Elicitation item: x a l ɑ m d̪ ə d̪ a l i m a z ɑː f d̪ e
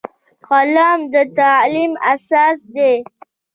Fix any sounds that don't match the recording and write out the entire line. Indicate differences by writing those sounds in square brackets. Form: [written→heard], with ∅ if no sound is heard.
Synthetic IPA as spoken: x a l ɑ m d̪ ə [d̪→t̪] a l i m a [z→s] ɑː [f→s] d̪ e